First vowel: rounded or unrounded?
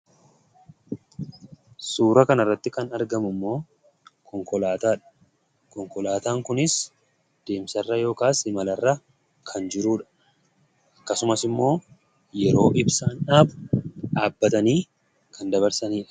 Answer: rounded